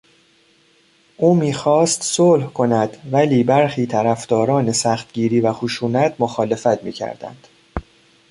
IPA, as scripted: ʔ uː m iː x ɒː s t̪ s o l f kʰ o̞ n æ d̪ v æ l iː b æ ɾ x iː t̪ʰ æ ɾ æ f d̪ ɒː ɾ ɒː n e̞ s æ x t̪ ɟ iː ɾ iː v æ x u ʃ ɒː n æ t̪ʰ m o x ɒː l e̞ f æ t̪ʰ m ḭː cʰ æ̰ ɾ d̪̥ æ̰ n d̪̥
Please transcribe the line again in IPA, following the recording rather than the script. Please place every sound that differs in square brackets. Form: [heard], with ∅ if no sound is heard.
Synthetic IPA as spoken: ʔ uː m iː x ɒː s t̪ s o l [h] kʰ o̞ n æ d̪ v æ l iː b æ ɾ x iː t̪ʰ æ ɾ æ f d̪ ɒː ɾ ɒː n e̞ s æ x t̪ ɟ iː ɾ iː v æ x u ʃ [uː] n æ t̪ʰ m o x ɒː l e̞ f æ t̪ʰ m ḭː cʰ æ̰ ɾ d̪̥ æ̰ n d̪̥